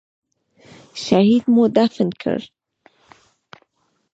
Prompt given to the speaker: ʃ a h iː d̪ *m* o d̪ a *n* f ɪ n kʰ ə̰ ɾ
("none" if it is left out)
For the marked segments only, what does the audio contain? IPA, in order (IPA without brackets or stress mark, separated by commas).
m, none